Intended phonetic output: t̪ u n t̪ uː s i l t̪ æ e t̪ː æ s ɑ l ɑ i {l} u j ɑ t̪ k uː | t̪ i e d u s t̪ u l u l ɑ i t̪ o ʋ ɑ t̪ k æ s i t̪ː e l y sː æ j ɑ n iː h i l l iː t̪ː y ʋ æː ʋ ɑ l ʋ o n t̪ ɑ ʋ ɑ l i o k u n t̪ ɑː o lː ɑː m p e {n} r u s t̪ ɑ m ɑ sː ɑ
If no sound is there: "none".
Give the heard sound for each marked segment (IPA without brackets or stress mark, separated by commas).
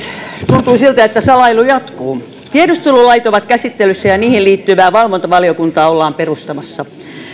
l, none